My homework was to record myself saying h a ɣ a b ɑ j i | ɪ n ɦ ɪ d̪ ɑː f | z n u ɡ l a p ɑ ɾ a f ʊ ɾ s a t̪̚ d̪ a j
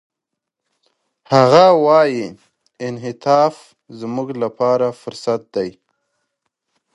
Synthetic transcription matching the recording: h a ɣ a w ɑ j i | ɪ n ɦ ɪ t̪ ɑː f | z m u ɡ l a p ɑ ɾ a f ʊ ɾ s a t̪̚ d̪ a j